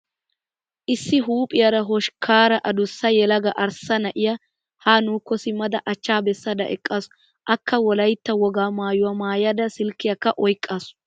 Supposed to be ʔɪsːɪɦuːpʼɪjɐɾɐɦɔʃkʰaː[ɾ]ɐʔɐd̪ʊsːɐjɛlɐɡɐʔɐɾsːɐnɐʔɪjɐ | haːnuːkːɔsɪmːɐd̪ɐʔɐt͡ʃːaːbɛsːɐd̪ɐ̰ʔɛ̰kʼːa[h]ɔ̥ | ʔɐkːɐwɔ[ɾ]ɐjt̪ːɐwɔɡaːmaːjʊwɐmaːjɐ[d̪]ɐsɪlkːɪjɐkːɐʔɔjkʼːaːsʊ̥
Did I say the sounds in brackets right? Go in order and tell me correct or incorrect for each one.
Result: correct, incorrect: s, incorrect: l, correct

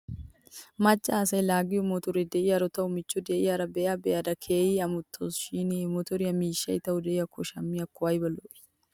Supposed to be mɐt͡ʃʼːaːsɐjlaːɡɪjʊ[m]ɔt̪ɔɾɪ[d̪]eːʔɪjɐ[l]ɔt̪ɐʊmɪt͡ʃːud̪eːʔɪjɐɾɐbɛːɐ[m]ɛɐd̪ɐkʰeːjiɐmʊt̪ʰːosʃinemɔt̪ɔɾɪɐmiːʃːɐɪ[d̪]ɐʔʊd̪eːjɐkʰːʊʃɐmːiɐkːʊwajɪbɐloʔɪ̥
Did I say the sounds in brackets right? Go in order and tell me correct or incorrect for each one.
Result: correct, correct, incorrect: ɾ, incorrect: b, incorrect: t̪

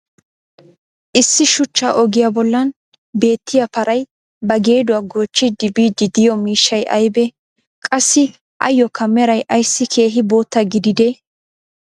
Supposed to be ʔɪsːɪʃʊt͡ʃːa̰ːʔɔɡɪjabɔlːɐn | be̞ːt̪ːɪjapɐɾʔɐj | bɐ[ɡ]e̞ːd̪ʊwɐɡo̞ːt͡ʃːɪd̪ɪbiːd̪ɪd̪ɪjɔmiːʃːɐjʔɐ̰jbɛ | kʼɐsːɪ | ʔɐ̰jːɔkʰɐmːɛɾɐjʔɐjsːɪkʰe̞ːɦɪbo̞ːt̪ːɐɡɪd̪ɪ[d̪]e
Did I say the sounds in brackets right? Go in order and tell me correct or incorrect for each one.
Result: correct, correct

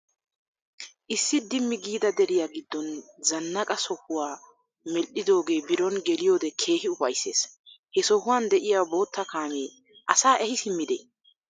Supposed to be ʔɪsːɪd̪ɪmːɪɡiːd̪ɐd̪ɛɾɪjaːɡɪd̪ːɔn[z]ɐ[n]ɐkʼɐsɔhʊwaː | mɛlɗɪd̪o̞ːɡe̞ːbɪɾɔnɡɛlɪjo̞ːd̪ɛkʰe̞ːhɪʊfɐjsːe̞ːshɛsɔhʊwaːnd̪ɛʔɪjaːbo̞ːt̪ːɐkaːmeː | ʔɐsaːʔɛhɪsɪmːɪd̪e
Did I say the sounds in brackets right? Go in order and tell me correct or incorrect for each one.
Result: correct, incorrect: nː

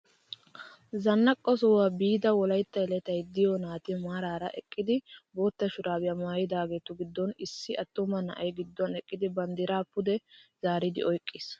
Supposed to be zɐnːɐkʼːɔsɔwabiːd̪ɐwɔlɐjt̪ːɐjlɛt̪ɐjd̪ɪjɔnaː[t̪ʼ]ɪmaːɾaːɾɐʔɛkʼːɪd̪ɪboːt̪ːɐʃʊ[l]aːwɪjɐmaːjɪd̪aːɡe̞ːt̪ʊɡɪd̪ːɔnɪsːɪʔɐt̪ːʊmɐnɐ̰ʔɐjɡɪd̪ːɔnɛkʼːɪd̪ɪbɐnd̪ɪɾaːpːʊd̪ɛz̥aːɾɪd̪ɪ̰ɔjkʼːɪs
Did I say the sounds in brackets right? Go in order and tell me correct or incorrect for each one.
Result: incorrect: t̪, incorrect: ɾ

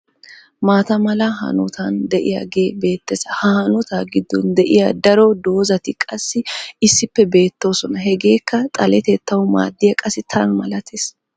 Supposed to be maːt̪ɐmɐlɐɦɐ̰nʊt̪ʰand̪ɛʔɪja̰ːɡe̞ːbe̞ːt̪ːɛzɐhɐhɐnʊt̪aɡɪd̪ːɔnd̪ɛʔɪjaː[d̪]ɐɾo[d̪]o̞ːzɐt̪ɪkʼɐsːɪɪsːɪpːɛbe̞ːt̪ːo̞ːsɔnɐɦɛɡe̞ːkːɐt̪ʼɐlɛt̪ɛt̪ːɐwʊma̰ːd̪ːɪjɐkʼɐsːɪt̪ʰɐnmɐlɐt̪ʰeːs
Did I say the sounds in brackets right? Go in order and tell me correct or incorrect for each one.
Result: correct, correct

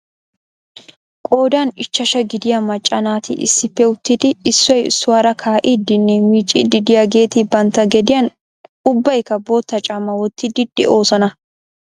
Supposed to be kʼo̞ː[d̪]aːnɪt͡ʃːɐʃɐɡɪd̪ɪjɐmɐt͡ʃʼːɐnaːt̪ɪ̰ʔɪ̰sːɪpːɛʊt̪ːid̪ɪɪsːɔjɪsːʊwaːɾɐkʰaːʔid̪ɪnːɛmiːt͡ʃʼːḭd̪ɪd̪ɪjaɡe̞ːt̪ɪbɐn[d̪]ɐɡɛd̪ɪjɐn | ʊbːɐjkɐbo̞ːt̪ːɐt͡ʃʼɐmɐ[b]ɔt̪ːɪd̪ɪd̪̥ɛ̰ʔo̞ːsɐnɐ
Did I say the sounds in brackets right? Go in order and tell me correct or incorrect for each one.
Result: correct, incorrect: t̪, incorrect: w

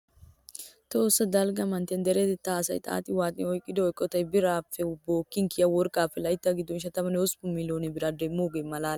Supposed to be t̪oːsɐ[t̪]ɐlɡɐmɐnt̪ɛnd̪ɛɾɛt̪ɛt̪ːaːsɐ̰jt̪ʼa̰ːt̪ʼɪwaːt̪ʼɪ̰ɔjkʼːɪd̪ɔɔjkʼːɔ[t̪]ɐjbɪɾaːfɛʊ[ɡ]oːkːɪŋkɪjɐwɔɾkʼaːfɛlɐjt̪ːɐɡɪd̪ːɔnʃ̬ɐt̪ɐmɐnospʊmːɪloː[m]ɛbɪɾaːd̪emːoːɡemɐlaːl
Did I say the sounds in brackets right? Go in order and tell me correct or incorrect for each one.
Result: incorrect: d̪, correct, incorrect: b, incorrect: n

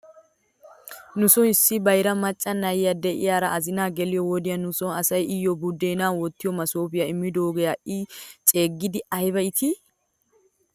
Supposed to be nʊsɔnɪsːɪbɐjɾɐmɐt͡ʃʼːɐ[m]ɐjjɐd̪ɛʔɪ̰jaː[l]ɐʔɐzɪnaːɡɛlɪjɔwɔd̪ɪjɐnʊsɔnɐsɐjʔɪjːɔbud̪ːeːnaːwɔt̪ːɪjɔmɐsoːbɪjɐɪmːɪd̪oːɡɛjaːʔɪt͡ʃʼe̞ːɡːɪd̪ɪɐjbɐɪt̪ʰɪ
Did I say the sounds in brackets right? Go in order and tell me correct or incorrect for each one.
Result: incorrect: n, incorrect: ɾ

